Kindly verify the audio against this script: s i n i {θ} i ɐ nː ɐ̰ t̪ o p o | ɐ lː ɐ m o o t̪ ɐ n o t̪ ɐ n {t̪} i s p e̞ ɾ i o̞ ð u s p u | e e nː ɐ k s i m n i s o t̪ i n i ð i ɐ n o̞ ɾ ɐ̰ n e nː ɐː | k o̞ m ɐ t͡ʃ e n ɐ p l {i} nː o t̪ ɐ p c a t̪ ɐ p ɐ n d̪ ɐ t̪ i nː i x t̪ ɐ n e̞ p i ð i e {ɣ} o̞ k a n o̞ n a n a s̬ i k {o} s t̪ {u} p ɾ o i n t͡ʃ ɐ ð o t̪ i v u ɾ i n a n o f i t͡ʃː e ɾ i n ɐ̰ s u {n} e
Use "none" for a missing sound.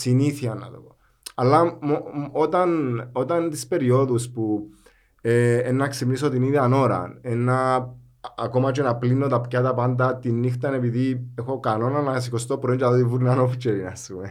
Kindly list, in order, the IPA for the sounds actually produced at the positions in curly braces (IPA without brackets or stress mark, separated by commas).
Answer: θ, t̪, i, x, o, o, m